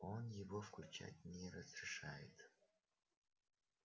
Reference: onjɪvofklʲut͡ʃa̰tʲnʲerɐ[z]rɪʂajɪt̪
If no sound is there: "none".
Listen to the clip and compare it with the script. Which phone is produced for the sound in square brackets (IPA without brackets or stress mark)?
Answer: z